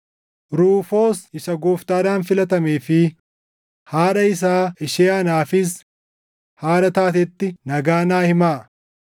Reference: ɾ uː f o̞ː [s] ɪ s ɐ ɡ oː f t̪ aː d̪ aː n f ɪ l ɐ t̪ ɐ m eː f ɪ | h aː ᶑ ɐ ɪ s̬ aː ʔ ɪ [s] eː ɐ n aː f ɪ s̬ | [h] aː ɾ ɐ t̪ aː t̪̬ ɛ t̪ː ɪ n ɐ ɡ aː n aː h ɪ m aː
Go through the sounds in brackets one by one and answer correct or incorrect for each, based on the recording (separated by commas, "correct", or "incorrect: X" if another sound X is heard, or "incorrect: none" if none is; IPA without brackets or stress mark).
correct, incorrect: ʃ, correct